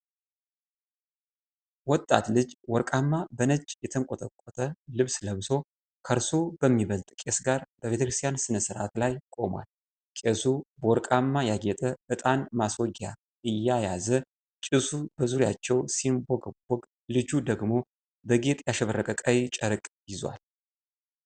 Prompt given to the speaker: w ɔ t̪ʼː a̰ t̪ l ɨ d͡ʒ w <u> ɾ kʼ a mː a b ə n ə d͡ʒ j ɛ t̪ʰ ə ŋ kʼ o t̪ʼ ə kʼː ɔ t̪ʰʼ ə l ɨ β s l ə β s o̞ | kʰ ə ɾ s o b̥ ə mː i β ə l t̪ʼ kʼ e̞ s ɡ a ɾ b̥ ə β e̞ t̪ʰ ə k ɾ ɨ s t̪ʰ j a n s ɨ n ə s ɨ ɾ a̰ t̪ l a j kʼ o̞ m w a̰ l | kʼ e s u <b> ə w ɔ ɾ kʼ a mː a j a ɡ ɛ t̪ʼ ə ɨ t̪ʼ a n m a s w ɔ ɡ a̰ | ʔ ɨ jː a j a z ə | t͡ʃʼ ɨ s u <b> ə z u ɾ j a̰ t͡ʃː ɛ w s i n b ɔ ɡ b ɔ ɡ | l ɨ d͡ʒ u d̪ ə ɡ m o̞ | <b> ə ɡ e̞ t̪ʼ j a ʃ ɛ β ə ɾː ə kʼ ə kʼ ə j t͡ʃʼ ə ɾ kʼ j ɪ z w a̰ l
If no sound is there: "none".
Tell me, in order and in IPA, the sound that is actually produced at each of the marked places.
ɔ, b, b, b

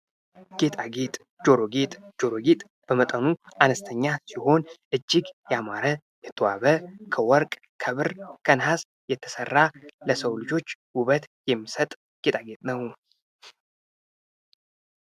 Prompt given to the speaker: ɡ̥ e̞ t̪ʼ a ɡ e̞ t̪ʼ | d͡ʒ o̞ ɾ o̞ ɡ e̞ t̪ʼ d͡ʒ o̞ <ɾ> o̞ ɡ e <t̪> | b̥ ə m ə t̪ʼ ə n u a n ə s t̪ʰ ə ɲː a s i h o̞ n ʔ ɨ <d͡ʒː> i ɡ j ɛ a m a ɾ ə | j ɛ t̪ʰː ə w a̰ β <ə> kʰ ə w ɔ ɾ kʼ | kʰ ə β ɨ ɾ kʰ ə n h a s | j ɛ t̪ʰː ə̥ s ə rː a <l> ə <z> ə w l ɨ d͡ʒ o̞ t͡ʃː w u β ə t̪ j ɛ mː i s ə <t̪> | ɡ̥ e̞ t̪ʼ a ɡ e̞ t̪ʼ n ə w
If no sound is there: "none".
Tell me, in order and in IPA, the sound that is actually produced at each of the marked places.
ɾ, t̪ʼ, d͡ʒː, ə, l, s, t̪ʼ

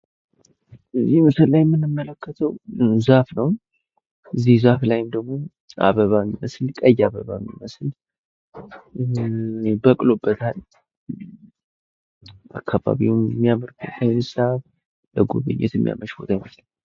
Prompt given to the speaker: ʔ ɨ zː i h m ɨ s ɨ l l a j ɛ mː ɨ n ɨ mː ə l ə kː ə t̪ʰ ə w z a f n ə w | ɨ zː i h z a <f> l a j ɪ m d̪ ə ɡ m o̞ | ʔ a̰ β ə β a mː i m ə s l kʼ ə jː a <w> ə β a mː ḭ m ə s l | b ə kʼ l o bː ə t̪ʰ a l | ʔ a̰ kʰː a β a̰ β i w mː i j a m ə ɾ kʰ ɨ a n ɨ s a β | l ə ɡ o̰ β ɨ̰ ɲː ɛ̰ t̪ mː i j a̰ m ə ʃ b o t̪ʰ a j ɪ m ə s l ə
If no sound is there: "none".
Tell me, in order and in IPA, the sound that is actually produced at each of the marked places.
f, β

